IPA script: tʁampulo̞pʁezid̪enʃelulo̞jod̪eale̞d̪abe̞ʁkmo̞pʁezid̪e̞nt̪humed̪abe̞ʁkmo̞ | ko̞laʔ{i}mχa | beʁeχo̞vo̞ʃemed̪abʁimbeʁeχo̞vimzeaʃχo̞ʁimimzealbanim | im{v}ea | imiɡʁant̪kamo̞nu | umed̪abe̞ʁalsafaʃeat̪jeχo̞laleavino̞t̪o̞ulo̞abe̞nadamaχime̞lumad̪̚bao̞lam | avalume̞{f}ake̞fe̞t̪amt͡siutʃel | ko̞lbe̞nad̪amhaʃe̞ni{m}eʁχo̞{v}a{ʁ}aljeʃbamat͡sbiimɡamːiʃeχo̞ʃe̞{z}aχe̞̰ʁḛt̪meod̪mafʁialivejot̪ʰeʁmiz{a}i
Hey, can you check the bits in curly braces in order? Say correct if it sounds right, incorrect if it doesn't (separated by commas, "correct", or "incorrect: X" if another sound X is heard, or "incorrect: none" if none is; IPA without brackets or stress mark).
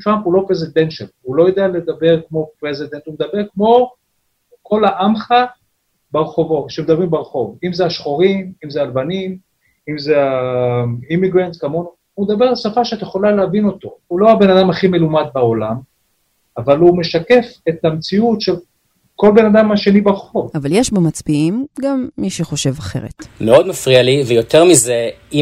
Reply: incorrect: a, incorrect: z, incorrect: ʃ, incorrect: b, correct, incorrect: v, incorrect: v, incorrect: e